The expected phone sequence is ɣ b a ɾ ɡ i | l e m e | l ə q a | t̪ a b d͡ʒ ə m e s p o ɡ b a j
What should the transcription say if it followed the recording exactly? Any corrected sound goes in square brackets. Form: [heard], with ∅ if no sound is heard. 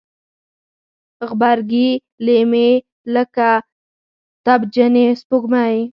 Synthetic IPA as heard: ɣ b a ɾ ɡ i | l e m e | l ə [k] a | t̪ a b d͡ʒ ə [n] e s p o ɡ [m] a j